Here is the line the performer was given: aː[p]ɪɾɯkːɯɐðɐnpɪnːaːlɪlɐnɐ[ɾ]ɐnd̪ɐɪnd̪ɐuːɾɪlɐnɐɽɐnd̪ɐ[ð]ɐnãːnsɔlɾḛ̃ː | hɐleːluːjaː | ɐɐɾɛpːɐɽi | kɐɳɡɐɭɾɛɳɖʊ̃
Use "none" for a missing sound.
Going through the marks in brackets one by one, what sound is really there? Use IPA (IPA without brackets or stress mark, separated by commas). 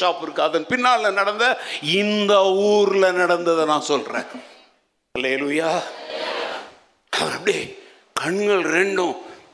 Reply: p, ɽ, ð